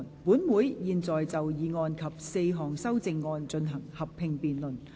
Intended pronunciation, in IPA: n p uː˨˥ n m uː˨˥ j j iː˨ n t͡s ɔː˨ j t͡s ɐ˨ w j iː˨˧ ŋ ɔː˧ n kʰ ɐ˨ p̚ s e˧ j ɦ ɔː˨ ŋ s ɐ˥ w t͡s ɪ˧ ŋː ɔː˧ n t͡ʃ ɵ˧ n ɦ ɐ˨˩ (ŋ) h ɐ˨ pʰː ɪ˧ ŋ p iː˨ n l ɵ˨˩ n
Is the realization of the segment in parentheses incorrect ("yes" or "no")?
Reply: no